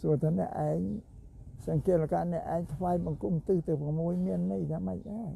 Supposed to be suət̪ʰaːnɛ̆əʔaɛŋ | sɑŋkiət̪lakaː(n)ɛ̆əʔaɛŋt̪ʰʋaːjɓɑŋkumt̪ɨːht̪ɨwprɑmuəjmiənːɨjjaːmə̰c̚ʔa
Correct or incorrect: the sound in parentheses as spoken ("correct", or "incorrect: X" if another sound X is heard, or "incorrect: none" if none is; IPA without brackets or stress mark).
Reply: correct